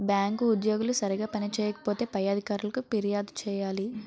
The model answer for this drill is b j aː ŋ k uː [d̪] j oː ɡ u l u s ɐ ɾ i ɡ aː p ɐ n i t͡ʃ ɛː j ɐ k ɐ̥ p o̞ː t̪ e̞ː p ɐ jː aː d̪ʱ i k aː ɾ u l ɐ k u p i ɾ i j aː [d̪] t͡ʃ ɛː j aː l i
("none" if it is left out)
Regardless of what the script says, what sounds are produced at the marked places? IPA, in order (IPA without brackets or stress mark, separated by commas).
d̪, d̪